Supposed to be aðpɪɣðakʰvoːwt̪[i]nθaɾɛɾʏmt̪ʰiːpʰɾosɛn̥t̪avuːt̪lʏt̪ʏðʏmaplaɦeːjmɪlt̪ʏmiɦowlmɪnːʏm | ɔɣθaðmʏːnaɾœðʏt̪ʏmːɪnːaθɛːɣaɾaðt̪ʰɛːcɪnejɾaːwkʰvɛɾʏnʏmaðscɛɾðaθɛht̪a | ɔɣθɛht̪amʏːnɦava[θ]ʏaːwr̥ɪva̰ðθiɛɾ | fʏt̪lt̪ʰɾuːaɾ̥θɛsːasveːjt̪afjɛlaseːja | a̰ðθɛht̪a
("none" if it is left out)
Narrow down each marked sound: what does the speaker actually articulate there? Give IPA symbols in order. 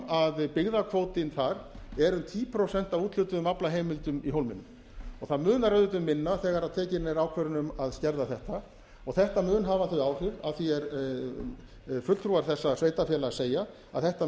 ɪ, θ

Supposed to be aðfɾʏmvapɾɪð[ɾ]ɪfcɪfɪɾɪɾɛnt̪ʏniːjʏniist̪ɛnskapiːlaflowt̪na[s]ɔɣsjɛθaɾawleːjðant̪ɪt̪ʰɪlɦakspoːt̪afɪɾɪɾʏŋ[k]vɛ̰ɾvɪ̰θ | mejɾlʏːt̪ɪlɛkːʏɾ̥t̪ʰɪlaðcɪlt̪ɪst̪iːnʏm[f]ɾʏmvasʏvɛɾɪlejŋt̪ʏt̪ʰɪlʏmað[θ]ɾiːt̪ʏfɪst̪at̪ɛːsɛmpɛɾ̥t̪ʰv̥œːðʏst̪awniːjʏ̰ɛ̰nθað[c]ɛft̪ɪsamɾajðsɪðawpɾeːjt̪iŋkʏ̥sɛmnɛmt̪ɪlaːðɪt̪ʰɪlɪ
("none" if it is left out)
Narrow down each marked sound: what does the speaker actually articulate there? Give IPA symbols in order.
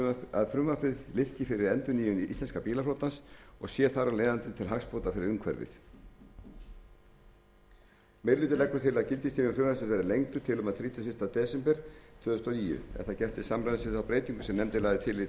l, s, kʰ, f, θ, c

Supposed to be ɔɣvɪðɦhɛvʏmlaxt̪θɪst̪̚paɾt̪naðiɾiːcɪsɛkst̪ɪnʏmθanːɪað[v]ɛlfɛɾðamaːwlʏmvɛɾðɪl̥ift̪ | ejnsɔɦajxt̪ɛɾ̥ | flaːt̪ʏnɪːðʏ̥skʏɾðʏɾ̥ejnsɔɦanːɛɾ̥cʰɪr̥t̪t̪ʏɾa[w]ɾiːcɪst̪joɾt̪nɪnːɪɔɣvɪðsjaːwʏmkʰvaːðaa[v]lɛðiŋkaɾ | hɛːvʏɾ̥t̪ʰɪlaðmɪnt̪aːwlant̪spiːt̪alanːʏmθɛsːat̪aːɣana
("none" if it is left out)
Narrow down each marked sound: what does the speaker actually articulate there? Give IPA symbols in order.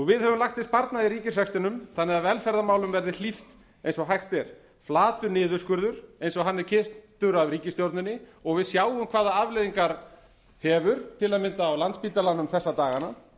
v, v, v

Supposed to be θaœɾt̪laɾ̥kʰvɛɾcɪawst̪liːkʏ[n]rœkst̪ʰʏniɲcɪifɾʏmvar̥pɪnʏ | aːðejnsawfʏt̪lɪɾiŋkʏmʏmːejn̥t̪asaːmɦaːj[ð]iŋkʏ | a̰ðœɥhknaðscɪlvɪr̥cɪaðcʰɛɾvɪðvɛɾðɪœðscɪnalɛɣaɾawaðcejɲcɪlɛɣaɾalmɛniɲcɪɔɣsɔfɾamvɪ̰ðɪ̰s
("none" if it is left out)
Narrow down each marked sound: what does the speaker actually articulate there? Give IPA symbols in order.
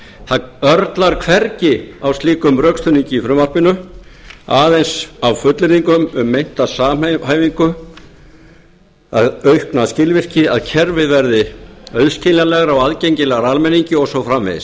m, v

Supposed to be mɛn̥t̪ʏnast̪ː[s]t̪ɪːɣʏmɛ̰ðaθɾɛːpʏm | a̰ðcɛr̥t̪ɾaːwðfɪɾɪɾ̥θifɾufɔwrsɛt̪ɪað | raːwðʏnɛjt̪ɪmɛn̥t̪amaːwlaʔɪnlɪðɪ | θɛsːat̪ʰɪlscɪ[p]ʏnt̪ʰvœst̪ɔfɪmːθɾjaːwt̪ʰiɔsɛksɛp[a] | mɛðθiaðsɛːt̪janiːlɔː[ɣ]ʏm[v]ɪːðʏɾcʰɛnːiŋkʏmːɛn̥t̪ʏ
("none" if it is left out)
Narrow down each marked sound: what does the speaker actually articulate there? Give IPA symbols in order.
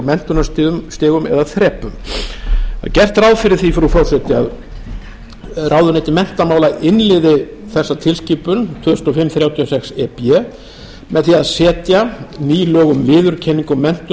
s, p, ɛ, ɣ, v

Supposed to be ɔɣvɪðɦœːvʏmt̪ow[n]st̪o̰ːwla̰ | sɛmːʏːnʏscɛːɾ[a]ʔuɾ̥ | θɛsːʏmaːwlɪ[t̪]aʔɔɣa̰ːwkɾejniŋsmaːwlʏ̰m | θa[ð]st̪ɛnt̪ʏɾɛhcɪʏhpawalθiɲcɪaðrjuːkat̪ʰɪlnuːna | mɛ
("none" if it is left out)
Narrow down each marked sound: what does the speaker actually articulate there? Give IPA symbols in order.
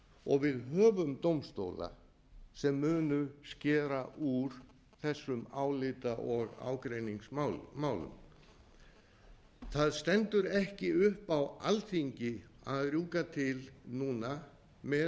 m, a, t̪, ð

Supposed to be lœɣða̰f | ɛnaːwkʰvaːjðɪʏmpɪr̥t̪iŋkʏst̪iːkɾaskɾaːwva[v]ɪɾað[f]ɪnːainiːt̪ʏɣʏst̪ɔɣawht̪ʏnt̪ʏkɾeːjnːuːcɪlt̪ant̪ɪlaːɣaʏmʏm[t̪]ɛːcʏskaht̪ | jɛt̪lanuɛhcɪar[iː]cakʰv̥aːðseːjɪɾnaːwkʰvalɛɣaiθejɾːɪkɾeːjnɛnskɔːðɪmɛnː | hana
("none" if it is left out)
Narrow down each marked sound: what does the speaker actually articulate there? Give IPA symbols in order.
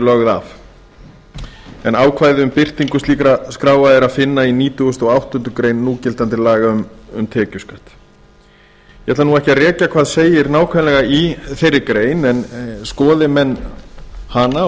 ð, f, t̪ʰ, ɛː

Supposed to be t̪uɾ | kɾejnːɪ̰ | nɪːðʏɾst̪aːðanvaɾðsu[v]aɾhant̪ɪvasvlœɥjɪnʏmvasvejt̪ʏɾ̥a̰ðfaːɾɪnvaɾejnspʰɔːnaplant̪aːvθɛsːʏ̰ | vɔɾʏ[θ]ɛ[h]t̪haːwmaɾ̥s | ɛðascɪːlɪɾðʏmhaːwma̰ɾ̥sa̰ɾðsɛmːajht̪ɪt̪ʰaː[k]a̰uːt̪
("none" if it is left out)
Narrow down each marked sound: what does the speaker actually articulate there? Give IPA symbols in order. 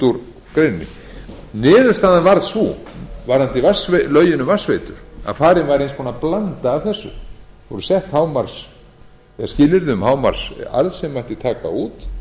v, s, h, k

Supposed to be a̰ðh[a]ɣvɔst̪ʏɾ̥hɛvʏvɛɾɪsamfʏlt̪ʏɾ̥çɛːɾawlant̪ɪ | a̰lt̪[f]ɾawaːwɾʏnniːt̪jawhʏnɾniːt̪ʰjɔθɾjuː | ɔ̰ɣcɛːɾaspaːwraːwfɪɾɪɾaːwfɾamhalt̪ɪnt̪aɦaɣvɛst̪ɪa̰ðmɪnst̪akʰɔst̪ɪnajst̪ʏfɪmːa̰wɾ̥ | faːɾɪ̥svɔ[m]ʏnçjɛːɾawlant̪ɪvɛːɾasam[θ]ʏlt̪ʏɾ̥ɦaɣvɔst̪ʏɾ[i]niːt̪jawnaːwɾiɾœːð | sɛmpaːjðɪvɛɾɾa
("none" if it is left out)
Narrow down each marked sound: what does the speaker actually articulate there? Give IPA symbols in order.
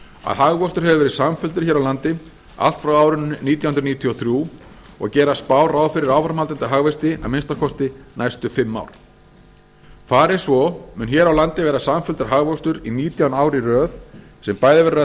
a, f, m, f, i

